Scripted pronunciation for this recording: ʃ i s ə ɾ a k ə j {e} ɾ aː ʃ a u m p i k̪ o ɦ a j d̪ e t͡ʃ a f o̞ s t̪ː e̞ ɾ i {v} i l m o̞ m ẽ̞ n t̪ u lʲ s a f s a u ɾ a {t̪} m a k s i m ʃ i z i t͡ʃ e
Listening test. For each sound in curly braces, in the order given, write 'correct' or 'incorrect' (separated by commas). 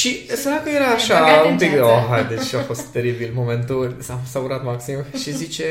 correct, incorrect, correct